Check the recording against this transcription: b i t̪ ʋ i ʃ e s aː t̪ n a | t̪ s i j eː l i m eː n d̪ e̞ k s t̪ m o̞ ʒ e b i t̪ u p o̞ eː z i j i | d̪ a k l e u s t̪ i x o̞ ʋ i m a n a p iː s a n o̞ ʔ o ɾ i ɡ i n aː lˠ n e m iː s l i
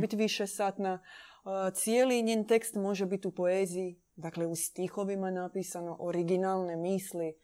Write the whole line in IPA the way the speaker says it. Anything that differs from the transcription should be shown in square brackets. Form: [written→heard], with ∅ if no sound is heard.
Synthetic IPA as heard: b i t̪ ʋ i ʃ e s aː t̪ n a | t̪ s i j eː l i [m→ɲ] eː n [d̪→t̪] e̞ k s t̪ m o̞ ʒ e b i t̪ u p o̞ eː z i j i | d̪ a k l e u s t̪ i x o̞ ʋ i m a n a p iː s a n o̞ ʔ o ɾ i ɡ i n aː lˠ n e m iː s l i